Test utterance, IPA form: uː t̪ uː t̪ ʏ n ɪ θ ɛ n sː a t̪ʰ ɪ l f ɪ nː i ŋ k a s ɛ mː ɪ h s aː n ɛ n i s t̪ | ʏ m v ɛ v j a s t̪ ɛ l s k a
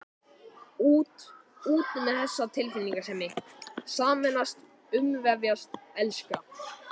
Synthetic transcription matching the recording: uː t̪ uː t̪ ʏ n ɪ θ ɛ sː a t̪ʰ ɪ l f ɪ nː i ŋ k a s ɛ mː ɪ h s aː m ɛ n a s t̪ | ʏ m v ɛ v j a s t̪ ɛ l s k a